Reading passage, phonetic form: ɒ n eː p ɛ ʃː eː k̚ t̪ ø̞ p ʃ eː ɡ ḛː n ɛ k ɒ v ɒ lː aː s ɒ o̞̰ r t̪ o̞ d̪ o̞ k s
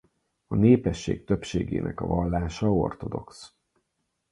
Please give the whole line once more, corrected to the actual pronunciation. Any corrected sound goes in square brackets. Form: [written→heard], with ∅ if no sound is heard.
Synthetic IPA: ɒ n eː p ɛ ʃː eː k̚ t̪ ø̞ p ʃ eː ɡ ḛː n ɛ k ɒ v ɒ lː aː [s→ʃ] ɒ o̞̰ r t̪ o̞ d̪ o̞ k s

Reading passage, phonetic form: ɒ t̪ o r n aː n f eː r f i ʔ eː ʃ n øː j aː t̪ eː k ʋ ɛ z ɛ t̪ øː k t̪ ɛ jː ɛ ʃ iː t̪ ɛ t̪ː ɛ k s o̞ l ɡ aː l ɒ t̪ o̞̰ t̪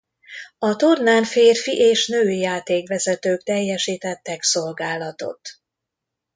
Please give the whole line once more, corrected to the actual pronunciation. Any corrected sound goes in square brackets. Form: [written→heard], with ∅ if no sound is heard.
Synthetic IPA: ɒ t̪ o r n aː n f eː r f i ʔ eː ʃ n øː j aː t̪ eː k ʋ ɛ z ɛ t̪ øː k t̪ ɛ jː ɛ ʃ iː t̪ ɛ t̪ː ɛ k s o̞ l ɡ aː l ɒ t̪ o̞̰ t̪

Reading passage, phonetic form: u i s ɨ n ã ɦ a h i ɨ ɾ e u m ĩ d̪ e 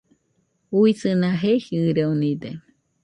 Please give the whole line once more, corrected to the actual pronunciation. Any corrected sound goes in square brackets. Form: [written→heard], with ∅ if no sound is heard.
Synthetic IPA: u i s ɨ n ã ɦ [a→e] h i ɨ ɾ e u [m→n] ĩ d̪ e

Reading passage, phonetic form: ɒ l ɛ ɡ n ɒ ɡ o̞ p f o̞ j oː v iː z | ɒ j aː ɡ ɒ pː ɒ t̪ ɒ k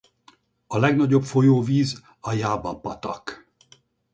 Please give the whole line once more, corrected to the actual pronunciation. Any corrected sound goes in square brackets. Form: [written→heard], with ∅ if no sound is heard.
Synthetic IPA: ɒ l ɛ ɡ n ɒ [ɡ→ɟ] o̞ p f o̞ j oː v iː z | ɒ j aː [ɡ→b] ɒ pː ɒ t̪ ɒ k

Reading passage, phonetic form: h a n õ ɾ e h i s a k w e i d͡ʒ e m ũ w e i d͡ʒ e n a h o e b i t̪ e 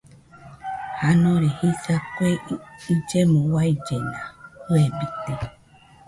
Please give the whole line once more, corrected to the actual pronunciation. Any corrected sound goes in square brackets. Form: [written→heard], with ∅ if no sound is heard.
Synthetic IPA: h a n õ ɾ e h i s a k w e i d͡ʒ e m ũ w [e→a] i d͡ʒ e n a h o e b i t̪ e

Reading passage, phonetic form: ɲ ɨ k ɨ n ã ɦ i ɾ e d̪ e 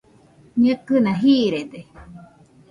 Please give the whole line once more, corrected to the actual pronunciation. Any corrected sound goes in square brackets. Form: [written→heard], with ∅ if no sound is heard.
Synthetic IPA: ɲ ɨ k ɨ n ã ɦ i ɾ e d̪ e

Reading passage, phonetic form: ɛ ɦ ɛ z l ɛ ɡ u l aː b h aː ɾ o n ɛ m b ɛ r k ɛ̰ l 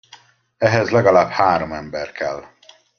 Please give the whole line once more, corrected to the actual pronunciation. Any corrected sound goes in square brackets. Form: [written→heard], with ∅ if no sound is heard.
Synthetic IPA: ɛ ɦ ɛ z l ɛ ɡ [u→ɒ] l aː b h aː ɾ o [n→m] ɛ m b ɛ r k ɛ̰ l

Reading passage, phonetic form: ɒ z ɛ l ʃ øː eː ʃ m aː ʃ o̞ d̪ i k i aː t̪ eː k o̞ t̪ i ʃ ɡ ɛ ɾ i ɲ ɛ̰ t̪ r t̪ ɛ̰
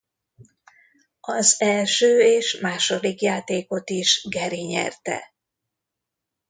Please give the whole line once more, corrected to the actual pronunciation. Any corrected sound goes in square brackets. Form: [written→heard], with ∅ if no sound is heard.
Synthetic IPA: ɒ z ɛ l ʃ øː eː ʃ m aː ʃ o̞ d̪ i k [i→j] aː t̪ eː k o̞ t̪ i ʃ ɡ ɛ ɾ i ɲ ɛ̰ [t̪→∅] r t̪ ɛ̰

